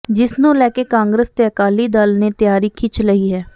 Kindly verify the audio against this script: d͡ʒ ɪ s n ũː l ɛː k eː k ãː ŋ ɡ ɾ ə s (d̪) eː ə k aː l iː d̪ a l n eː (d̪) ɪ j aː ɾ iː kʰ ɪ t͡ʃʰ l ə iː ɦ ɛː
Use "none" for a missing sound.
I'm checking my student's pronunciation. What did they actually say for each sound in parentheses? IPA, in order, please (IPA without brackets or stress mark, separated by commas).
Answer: t̪, t̪